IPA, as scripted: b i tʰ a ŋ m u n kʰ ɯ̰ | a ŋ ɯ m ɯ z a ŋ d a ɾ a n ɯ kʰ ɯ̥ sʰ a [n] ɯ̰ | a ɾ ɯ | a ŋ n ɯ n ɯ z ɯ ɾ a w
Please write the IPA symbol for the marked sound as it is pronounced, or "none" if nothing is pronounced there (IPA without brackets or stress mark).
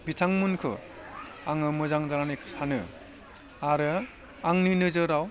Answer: n